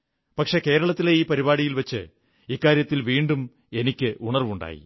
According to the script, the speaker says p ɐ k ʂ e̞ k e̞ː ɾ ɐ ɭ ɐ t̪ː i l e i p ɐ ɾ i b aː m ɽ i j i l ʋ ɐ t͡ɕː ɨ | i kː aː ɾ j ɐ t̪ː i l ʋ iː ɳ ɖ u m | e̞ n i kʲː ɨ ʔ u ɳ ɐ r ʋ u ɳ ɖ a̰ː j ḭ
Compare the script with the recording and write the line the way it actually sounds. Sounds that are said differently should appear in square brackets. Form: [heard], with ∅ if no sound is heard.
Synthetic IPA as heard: p ɐ k ʂ e̞ k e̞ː ɾ ɐ ɭ ɐ t̪ː i l e [iː] p ɐ ɾ i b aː [∅] ɽ i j i l ʋ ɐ t͡ɕː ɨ | i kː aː ɾ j ɐ t̪ː i l ʋ iː ɳ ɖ u m | e̞ n i kʲː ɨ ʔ u ɳ ɐ r ʋ u ɳ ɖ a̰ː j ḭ